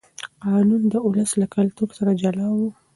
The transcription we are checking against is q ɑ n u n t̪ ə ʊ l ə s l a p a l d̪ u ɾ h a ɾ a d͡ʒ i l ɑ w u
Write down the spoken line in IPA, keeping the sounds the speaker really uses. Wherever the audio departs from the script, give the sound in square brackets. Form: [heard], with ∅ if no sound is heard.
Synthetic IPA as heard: q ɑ n u n [d̪] ə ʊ l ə s l a [k] a l [t̪] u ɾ [s] a ɾ a d͡ʒ [a] l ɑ w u